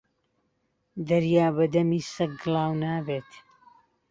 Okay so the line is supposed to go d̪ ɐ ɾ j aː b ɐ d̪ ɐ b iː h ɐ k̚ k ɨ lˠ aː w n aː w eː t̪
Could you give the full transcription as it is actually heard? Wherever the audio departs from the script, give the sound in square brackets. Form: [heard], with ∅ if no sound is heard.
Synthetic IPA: d̪ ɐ ɾ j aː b ɐ d̪ ɐ [m] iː [s] ɐ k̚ [ɡ] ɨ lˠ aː w n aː [b] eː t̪